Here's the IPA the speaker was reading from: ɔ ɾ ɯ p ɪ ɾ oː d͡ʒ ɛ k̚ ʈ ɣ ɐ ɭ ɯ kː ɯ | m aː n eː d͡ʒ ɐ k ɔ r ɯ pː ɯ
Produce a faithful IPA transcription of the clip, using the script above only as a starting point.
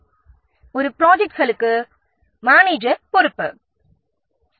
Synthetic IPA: ɔ ɾ ɯ p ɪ ɾ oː d͡ʒ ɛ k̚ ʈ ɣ ɐ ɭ ɯ kː ɯ | m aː n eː d͡ʒ ɐ p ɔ ɾ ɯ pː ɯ